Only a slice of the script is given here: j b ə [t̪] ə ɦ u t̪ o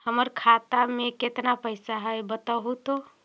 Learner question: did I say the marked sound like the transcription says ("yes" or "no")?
yes